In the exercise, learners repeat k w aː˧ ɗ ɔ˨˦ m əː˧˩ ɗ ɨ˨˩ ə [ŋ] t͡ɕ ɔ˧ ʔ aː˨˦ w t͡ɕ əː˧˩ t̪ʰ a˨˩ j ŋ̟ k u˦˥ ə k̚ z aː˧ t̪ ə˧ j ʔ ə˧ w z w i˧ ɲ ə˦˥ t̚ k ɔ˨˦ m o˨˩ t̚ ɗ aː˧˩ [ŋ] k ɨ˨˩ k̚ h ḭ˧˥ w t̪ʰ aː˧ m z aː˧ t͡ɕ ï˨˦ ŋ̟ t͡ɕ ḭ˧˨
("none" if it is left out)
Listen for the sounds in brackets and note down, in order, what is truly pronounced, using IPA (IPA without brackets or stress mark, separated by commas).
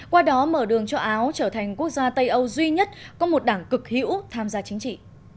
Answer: ŋ, ŋ